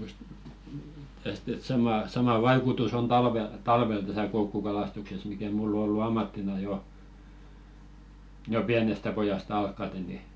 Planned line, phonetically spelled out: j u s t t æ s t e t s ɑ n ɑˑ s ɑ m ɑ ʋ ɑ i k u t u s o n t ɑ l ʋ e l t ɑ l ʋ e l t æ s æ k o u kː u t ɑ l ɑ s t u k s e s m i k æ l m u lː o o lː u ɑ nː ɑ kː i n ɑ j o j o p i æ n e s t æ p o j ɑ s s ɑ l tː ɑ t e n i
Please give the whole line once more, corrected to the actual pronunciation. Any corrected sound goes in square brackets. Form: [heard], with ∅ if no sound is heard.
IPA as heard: j u s t t æ s t e t s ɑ [m] ɑˑ s ɑ m ɑ ʋ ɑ i k u t u s o n t ɑ l ʋ e l t ɑ l ʋ e l t æ s æ k o u kː u [k] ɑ l ɑ s t u k s e s m i k æ [∅] m u lː o o lː u ɑ [mː] ɑ [tː] i n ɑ j o j o p i æ n e s t æ p o j ɑ s [t] ɑ l [kː] ɑ t e n i